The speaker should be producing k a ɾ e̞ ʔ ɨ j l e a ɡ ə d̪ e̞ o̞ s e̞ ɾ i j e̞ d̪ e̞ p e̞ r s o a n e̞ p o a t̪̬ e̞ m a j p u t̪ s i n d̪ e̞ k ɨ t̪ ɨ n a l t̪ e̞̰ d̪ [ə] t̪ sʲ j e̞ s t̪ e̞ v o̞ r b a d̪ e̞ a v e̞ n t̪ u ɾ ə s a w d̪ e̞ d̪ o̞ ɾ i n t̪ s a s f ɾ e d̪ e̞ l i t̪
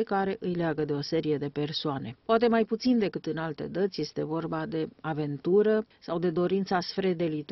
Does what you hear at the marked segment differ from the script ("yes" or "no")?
no